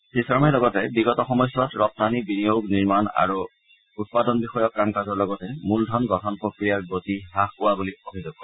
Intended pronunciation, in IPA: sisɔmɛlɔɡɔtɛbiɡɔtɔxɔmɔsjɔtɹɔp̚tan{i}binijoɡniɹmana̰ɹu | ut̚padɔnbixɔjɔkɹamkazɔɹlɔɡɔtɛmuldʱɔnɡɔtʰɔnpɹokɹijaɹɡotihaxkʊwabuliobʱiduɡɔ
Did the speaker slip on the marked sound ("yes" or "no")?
no